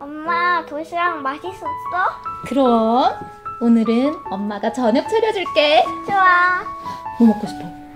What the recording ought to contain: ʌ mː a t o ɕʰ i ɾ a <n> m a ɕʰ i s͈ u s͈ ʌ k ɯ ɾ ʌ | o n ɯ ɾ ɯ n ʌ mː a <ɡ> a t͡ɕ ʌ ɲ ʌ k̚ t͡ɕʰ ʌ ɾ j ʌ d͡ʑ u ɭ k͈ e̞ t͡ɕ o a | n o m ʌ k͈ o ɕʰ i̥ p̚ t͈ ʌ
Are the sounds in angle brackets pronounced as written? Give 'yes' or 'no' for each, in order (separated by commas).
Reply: no, yes